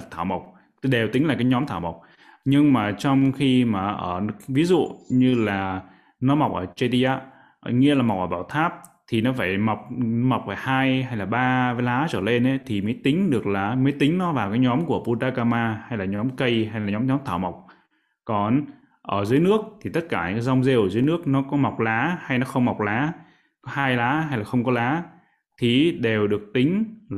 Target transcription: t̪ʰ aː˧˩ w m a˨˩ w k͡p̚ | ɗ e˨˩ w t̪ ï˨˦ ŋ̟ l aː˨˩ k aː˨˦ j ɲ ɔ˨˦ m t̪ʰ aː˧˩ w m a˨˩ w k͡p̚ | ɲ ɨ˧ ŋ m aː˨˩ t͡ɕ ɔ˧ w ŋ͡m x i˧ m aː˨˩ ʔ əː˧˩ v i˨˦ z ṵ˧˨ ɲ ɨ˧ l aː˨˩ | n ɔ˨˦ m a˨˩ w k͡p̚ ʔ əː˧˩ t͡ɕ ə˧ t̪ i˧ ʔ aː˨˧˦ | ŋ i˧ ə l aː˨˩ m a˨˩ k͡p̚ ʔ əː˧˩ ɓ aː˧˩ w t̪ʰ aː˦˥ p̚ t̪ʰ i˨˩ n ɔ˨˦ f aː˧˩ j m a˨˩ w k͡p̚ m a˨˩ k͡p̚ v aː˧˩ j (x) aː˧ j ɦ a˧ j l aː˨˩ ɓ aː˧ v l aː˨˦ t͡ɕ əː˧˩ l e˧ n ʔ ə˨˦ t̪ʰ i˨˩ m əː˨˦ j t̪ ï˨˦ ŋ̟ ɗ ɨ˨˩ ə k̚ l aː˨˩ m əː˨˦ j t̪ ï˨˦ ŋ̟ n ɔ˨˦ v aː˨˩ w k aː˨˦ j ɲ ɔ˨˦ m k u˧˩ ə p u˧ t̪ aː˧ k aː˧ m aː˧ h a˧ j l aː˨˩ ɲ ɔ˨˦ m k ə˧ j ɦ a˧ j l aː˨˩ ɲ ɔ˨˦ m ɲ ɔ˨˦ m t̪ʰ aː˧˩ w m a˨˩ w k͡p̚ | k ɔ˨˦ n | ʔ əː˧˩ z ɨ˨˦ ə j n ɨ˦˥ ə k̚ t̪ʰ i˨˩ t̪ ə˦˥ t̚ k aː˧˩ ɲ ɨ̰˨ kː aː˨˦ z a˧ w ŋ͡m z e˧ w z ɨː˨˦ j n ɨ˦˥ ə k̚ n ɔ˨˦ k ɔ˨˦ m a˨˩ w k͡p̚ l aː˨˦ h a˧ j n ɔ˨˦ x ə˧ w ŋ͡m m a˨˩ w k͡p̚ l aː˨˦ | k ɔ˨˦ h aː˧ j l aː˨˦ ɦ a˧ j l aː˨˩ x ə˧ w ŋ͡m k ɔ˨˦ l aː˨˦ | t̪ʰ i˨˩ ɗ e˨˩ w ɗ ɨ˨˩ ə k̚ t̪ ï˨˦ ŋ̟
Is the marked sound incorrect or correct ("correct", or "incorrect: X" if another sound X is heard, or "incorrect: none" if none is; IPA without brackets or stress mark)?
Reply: incorrect: h